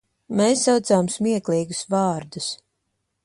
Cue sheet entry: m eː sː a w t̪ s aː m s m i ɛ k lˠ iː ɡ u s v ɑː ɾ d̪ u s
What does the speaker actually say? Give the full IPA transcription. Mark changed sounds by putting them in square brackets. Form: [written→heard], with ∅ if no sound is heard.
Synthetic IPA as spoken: m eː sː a w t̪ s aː m s m i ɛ k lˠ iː ɡ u s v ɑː ɾ d̪ u s